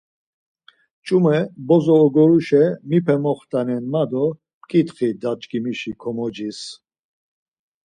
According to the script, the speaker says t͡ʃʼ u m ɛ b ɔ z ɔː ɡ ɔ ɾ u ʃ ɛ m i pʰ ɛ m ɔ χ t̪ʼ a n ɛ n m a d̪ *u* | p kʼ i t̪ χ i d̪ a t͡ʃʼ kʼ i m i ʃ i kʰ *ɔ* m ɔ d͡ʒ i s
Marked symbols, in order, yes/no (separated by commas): no, yes